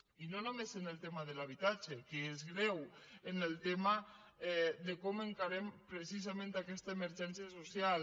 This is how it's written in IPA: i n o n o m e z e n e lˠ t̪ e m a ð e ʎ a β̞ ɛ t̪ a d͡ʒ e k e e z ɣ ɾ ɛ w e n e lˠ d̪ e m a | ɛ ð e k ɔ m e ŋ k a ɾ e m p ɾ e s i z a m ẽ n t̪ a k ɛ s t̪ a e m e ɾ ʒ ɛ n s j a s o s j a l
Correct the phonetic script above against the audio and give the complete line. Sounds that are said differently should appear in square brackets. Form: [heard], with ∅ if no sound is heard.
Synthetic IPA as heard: i n o n o m e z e n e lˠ t̪ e m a ð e [l] a β̞ [i] t̪ a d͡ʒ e k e e z ɣ ɾ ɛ w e n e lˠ [t̪] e m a | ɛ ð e k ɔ m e ŋ k a ɾ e m p ɾ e s i z a m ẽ n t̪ a k ɛ s t̪ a e m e ɾ ʒ ɛ n s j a s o s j a l